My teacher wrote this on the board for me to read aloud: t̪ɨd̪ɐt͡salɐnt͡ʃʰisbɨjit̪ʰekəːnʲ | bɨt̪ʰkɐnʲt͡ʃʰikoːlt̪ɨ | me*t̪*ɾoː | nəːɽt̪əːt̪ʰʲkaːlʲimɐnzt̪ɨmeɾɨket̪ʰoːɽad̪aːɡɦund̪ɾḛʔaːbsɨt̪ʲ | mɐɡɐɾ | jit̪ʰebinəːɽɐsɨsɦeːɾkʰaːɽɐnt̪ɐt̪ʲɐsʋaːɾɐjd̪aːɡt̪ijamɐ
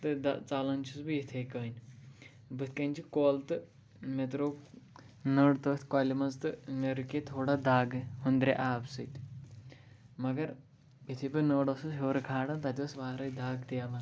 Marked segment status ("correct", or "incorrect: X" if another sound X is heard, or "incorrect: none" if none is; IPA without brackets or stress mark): correct